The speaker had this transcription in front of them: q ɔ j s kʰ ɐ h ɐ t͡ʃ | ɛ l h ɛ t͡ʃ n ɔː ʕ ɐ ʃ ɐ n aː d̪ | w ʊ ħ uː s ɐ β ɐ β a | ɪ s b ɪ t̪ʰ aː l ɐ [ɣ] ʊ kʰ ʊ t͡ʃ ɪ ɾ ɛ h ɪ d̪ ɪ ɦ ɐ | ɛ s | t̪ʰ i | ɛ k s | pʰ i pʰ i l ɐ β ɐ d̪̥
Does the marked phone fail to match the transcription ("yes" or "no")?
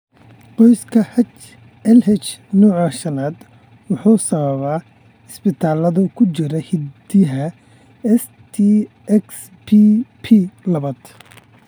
yes